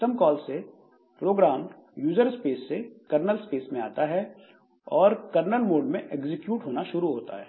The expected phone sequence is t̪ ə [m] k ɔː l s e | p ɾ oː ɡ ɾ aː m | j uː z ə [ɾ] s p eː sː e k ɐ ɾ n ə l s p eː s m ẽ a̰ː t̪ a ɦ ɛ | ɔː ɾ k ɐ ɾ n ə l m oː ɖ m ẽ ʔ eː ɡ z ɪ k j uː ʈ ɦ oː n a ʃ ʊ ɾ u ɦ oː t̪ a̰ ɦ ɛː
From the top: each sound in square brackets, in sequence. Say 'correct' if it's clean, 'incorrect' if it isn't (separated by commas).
correct, correct